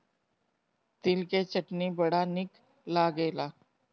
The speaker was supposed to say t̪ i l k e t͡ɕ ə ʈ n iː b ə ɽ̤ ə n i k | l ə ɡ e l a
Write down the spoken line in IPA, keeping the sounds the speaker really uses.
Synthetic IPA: t̪ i l k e t͡ɕ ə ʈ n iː b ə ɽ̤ a n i k | l a ɡ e l a